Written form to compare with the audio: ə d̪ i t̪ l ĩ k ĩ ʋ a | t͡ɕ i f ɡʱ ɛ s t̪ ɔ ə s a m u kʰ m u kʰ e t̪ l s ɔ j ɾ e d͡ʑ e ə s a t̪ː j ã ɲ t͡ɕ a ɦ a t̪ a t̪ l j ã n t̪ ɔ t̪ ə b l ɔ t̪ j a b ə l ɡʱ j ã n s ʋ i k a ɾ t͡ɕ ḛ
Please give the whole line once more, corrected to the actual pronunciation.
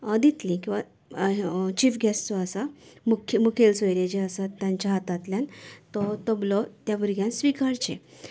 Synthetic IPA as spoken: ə d̪ i t̪ l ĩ k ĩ ʋ a | t͡ɕ i f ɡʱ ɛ s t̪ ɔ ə s a m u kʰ m u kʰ e l s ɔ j ɾ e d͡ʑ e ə s a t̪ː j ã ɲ t͡ɕ a ɦ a t̪ a t̪ l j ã n t̪ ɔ t̪ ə b l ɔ t̪ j a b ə ɾ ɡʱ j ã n s ʋ i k a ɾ t͡ɕ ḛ